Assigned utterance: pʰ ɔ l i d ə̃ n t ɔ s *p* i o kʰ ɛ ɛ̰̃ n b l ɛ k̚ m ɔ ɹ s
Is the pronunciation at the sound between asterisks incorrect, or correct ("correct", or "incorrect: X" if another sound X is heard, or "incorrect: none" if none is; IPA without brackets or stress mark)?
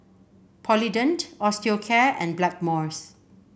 incorrect: t